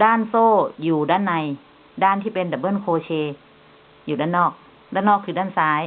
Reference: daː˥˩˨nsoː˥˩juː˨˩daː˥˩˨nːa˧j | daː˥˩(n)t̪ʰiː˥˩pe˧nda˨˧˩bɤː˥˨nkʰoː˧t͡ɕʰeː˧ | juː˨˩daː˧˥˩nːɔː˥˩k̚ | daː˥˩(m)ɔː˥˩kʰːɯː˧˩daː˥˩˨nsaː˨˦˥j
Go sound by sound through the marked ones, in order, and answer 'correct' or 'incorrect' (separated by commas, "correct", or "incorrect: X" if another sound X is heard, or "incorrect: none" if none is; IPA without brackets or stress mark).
correct, incorrect: n